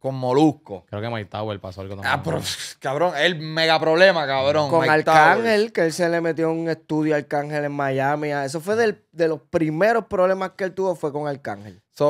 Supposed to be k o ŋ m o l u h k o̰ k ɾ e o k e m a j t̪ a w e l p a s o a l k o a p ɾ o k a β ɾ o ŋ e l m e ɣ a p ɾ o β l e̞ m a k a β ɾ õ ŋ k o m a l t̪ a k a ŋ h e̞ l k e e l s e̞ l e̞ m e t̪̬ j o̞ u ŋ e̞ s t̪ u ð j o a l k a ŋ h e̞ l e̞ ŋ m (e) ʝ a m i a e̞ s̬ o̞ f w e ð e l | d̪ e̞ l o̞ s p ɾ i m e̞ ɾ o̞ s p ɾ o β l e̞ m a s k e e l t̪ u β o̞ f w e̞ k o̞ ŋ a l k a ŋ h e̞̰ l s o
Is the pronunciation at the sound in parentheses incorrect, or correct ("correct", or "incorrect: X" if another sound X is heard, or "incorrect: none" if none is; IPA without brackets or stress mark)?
incorrect: a